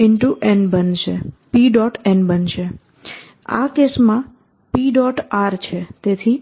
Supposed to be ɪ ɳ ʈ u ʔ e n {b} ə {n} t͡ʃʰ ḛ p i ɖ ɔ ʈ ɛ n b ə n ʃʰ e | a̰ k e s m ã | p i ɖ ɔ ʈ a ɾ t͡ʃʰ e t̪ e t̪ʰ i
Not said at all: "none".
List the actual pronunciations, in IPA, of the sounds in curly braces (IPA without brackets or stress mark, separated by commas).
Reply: b, n